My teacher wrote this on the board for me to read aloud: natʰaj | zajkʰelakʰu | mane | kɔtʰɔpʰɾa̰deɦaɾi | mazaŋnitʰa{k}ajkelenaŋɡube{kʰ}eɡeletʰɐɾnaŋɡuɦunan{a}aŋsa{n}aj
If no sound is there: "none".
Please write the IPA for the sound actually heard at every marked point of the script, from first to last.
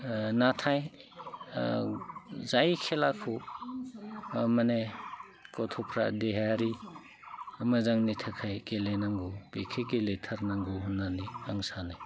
kʰ, kʰ, i, n

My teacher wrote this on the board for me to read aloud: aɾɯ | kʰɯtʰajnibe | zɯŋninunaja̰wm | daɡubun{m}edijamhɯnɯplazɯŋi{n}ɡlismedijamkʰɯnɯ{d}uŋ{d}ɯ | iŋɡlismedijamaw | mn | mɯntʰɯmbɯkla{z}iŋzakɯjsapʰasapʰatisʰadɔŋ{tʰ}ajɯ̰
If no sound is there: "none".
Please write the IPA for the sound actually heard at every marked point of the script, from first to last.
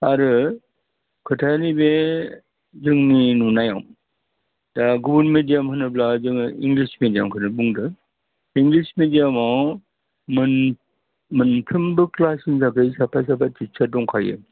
m, ŋ, b, d, s, kʰ

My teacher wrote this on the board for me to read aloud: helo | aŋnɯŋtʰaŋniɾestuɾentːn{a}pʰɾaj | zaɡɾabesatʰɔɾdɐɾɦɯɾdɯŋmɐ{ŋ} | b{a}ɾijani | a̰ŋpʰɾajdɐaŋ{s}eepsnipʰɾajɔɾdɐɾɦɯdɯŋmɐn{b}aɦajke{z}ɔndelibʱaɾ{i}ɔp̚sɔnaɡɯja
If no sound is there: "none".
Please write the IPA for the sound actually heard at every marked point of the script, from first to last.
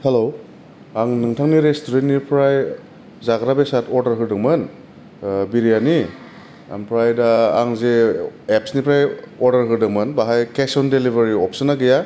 i, n, i, z, b, s, i

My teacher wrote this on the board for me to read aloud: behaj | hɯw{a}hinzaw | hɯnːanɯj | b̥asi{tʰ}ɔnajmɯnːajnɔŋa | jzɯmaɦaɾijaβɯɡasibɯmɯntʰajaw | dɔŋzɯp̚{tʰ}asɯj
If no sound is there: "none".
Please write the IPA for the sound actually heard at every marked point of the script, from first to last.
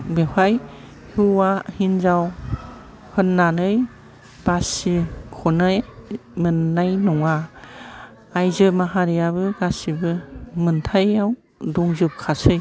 a, kʰ, kʰ

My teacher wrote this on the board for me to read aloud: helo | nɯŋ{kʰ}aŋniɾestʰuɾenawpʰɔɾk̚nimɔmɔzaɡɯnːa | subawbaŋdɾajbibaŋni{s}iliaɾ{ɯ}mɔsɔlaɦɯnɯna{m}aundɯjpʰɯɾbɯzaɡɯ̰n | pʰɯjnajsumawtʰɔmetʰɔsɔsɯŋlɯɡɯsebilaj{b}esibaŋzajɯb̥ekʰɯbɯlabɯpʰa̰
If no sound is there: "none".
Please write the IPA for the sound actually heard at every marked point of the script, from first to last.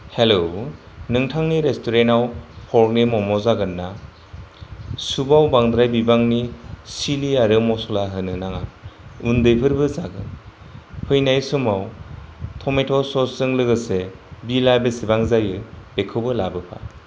tʰ, s, ɯ, ŋ, b

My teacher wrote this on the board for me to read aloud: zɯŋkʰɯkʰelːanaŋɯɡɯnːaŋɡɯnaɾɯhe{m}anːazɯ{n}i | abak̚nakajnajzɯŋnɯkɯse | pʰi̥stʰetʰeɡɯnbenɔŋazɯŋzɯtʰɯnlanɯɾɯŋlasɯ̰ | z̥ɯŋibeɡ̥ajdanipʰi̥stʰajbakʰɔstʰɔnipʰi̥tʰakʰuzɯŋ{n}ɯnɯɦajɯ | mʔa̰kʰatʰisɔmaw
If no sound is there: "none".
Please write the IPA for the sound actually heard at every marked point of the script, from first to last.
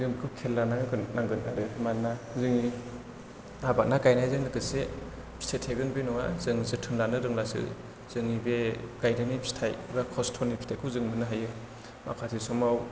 m, ŋ, m

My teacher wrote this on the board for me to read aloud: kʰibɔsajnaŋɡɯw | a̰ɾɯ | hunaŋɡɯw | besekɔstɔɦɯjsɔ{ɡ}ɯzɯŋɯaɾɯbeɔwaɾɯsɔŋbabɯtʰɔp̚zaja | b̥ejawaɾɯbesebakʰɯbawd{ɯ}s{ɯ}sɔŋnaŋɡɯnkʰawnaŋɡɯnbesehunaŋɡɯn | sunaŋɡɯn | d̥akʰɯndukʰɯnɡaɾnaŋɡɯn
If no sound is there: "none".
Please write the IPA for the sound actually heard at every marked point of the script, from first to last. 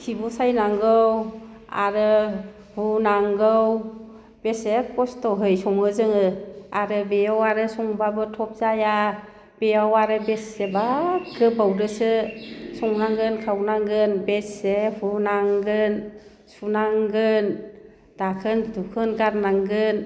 ŋ, ɯ, ɯ

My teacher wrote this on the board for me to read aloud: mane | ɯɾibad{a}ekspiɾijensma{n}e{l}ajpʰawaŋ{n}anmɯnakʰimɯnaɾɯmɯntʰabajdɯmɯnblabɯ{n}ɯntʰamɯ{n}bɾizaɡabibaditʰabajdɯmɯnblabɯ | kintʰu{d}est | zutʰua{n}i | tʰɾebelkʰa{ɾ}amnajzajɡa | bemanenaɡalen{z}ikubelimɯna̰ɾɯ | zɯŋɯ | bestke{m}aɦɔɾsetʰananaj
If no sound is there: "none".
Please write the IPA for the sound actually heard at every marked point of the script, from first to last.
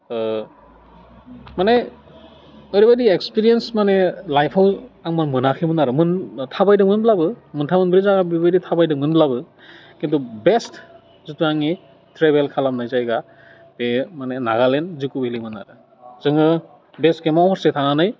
i, n, l, m, m, n, b, ŋ, l, z, m

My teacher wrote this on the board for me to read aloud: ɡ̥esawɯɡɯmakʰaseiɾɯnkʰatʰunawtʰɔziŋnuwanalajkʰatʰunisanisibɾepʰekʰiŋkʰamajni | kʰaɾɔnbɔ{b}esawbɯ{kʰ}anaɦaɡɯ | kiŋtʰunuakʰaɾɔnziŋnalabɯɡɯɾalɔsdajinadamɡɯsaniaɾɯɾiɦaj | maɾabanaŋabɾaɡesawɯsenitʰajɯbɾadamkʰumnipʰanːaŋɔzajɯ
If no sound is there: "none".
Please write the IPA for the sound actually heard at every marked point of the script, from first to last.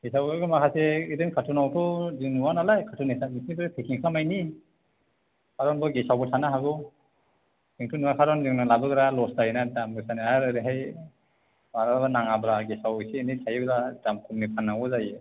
ɡ, tʰ

